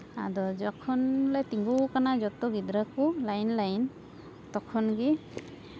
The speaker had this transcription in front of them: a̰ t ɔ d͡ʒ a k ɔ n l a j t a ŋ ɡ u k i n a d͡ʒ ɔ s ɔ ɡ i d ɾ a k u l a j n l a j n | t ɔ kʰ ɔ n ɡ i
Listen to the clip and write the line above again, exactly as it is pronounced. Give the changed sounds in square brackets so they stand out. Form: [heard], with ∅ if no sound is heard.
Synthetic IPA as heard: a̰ [d] ɔ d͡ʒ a [kʰ] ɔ n l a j t [i] ŋ ɡ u k [a] n a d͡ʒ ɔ [t] ɔ ɡ i d ɾ a k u l a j n l a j n | t ɔ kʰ ɔ n ɡ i